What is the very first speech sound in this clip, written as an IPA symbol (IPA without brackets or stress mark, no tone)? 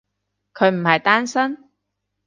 kʰ